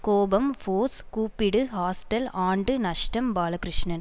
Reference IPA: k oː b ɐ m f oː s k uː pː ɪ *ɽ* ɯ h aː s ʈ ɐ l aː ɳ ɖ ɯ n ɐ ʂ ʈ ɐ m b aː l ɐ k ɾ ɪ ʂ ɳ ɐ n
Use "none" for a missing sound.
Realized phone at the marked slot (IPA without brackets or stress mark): ɽ